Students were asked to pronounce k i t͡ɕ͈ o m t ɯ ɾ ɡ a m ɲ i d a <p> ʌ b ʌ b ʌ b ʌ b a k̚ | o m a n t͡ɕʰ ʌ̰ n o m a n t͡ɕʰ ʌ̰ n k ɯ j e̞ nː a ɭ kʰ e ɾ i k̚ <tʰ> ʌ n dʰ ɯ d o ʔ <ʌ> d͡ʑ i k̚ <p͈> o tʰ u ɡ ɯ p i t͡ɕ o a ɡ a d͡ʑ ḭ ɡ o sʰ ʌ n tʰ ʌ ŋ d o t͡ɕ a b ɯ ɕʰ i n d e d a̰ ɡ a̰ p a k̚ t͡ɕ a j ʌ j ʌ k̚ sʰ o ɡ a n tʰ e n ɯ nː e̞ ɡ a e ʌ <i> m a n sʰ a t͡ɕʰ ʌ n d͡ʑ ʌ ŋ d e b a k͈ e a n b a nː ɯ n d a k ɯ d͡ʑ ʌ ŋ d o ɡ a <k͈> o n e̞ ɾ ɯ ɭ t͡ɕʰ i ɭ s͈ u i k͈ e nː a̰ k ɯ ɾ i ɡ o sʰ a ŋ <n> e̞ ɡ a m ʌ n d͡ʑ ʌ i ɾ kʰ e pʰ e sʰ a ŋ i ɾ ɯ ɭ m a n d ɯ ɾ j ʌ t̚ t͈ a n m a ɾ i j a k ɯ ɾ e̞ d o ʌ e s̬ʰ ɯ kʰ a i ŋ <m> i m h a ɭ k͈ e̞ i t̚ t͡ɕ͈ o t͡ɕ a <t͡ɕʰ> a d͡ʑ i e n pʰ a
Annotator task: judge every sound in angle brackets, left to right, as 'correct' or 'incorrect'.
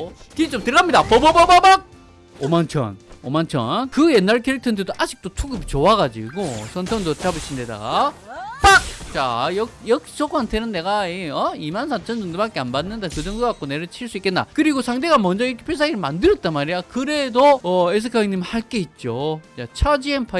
correct, correct, incorrect: a, incorrect: t͈, correct, correct, incorrect: d, incorrect: ɲ, correct

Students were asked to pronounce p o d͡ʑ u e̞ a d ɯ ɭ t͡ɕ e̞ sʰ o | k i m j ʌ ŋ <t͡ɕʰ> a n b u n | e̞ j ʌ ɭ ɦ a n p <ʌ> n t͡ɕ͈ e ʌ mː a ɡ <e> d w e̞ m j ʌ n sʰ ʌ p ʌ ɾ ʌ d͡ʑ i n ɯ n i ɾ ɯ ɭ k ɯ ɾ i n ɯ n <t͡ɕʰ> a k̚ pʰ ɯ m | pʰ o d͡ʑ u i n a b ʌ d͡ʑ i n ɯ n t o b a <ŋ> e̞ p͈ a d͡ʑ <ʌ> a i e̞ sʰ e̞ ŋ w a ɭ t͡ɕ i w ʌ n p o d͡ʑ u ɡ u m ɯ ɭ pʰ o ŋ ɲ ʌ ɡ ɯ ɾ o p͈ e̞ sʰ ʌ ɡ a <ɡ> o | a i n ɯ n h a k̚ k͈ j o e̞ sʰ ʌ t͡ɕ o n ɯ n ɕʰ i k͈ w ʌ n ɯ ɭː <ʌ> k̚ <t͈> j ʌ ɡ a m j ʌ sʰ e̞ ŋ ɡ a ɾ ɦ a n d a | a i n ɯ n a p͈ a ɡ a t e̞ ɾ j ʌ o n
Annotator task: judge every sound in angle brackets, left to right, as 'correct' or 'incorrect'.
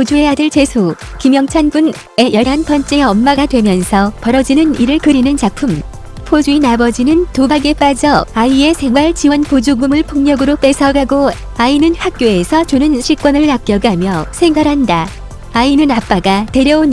correct, correct, incorrect: a, incorrect: t͡ɕ, incorrect: ɡ, correct, correct, incorrect: a, incorrect: k͈

